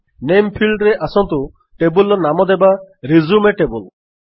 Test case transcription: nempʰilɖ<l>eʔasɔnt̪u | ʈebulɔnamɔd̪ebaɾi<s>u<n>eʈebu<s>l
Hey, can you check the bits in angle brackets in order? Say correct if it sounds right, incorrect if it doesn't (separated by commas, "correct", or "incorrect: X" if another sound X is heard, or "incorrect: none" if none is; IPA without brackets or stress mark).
incorrect: ɾ, incorrect: z, incorrect: m, incorrect: none